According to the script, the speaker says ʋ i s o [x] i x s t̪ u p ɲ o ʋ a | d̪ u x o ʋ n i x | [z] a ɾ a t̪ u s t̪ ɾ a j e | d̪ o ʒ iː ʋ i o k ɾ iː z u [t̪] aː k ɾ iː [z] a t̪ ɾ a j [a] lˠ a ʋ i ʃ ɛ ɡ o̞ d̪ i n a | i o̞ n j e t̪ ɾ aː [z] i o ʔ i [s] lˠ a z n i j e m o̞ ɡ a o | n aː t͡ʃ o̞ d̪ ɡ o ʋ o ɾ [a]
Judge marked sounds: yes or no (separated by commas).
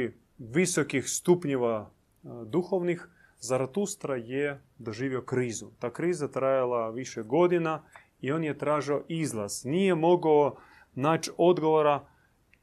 no, yes, yes, yes, yes, no, no, yes